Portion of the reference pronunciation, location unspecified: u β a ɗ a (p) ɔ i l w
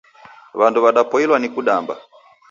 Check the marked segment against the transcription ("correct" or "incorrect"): correct